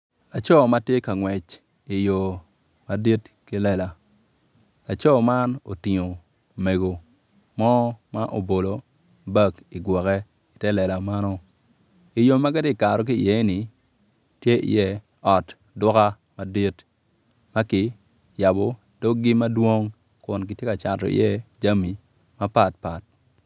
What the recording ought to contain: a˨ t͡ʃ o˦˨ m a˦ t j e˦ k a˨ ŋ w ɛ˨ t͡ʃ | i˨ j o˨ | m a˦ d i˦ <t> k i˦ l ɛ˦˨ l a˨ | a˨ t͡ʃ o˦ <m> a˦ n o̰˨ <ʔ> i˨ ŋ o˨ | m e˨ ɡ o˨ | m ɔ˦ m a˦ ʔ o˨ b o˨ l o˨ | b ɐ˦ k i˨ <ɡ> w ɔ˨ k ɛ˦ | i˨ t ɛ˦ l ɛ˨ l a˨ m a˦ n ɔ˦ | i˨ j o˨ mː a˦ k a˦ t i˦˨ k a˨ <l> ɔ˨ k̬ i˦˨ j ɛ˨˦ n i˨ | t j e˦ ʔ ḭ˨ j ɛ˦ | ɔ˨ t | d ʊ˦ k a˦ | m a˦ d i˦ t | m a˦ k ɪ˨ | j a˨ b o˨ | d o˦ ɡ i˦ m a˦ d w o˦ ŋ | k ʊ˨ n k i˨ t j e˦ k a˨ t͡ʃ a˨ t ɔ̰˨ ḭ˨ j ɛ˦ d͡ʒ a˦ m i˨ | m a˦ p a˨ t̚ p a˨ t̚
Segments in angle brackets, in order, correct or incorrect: correct, correct, incorrect: t, correct, incorrect: ɾ

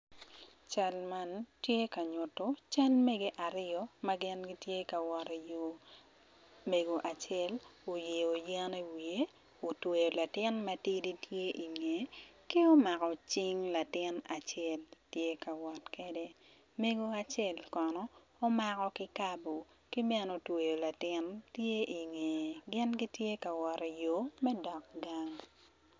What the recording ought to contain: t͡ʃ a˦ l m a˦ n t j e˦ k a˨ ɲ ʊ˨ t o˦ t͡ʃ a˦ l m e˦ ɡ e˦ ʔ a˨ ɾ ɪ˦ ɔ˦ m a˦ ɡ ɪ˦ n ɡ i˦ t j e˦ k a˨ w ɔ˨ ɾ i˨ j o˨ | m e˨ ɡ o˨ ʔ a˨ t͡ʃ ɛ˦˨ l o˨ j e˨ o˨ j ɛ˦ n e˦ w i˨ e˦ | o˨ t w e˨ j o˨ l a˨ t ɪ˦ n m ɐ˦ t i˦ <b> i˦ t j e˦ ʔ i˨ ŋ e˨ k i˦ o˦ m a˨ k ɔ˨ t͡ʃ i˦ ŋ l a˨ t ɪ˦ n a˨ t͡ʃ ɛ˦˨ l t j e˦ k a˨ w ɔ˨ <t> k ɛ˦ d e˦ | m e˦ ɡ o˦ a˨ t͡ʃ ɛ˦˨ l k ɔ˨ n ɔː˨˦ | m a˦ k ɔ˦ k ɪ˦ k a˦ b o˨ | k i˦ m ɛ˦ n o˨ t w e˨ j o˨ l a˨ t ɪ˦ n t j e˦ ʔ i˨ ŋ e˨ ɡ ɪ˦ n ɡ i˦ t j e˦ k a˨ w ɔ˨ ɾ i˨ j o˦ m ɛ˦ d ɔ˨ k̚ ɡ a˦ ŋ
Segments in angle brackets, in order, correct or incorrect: incorrect: d, correct

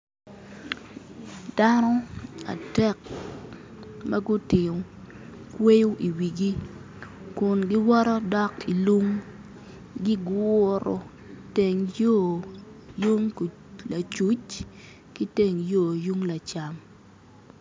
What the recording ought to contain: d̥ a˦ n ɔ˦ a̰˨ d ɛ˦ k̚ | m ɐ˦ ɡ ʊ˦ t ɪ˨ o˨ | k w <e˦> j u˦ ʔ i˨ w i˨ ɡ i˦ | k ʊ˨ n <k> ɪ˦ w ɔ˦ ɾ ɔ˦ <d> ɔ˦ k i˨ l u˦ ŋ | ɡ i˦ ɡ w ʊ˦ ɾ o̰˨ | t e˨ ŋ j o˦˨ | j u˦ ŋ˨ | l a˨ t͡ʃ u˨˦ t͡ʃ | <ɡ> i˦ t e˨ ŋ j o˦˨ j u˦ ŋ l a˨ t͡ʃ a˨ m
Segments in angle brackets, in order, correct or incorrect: correct, incorrect: ɡ, correct, incorrect: k

